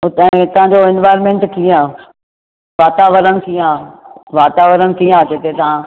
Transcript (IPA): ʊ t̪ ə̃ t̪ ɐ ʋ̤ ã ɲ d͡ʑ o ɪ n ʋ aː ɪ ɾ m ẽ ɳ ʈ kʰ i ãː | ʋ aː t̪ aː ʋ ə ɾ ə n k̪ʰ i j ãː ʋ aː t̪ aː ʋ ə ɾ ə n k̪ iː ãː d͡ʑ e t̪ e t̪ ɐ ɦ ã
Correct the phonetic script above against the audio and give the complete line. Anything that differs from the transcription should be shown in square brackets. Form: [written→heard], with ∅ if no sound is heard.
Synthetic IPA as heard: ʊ t̪ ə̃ t̪ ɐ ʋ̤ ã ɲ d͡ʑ o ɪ n ʋ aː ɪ ɾ m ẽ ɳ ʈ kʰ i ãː | ʋ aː t̪ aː ʋ ə ɾ ə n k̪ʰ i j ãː ʋ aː t̪ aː ʋ ə ɾ ə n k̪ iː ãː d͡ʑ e t̪ e t̪ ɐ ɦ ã